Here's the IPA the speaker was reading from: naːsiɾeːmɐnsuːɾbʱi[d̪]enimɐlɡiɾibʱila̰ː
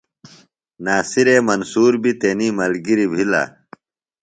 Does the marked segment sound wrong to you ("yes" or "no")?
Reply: yes